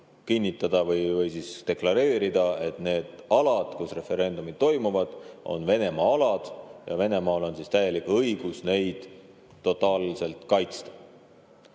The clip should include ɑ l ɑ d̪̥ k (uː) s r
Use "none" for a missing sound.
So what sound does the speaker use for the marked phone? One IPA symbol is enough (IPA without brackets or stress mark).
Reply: u